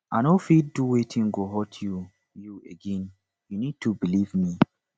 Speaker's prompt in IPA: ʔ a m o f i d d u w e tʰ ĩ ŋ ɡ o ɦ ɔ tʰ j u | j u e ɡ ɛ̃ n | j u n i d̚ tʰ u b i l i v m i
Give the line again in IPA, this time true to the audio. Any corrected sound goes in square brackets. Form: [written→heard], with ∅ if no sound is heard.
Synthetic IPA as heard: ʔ a [m→n] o f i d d u w e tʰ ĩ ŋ ɡ o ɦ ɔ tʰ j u | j u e ɡ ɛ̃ n | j u n i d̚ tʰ u b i l i v m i